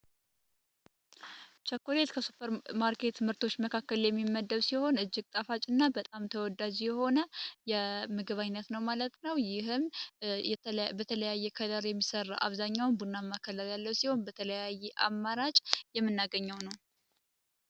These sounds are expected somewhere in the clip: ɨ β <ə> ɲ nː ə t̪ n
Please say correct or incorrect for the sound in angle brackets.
incorrect